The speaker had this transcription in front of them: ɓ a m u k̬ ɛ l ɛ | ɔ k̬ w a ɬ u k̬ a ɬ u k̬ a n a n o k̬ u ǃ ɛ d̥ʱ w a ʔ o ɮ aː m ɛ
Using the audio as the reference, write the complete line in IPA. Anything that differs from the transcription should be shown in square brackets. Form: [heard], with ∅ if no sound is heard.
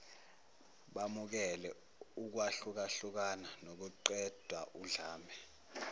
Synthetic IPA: ɓ a m u k̬ ɛ l ɛ | [u] k̬ w a ɬ u k̬ a ɬ u k̬ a n a n o k̬ u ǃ ɛ d̥ʱ w a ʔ [u] ɮ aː m ɛ